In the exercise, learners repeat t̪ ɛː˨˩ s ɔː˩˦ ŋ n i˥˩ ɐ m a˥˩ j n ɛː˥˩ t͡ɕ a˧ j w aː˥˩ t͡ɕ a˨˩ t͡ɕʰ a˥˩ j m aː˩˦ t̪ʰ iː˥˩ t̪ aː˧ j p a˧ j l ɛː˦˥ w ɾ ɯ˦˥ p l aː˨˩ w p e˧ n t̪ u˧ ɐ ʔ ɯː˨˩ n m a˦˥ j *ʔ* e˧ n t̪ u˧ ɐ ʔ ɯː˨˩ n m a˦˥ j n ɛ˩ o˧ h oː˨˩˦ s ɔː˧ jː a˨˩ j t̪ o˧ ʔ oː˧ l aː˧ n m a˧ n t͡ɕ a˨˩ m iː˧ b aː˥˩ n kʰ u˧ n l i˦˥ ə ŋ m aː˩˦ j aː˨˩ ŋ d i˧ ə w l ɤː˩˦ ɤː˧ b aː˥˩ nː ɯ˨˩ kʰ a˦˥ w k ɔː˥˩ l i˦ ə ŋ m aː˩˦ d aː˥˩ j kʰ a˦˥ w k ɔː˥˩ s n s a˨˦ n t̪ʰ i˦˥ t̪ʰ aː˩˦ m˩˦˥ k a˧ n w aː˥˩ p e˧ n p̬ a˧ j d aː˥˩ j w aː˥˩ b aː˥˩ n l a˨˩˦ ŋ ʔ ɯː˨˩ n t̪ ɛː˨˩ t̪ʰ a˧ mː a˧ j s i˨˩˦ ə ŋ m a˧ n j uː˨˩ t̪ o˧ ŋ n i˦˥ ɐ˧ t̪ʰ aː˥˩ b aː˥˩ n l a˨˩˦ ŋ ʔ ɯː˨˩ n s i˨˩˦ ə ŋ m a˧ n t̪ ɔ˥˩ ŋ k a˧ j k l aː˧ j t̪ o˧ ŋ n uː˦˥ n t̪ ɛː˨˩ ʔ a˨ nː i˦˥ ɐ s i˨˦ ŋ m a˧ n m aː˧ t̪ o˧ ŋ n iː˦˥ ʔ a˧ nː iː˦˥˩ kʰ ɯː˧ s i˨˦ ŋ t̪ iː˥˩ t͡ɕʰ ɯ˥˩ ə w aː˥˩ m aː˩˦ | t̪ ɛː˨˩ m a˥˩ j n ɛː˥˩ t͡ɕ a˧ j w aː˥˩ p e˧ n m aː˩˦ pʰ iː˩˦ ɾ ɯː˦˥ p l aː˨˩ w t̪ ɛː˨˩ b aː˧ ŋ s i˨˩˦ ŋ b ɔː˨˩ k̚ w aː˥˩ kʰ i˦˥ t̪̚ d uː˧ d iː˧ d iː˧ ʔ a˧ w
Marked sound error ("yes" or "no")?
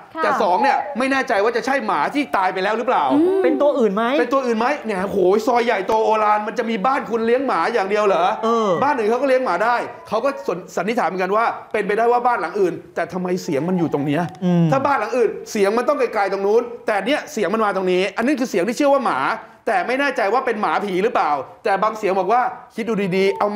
yes